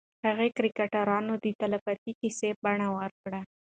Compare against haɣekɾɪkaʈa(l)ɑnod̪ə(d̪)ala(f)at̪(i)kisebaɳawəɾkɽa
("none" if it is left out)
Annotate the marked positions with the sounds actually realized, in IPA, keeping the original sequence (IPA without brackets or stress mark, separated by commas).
ɾ, t̪, f, i